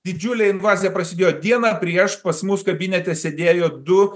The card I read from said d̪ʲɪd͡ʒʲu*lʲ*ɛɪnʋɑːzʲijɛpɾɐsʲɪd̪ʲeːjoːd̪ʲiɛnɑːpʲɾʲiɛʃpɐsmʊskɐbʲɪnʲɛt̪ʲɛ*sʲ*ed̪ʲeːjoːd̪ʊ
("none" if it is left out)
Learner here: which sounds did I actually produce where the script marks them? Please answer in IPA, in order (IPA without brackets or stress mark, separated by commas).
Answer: lʲ, sʲ